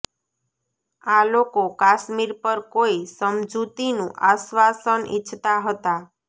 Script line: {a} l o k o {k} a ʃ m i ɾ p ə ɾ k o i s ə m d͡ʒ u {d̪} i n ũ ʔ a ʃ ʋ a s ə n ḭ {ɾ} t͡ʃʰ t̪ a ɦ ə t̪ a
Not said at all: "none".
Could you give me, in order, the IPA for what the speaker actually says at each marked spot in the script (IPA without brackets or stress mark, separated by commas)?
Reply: a, k, t̪, none